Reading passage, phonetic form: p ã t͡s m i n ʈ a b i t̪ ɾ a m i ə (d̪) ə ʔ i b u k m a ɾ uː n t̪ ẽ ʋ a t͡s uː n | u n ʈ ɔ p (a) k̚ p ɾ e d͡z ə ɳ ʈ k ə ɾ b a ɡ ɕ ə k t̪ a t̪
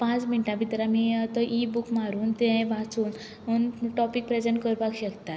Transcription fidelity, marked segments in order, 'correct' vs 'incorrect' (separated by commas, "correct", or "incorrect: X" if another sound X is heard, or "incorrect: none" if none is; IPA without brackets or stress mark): incorrect: t̪, incorrect: i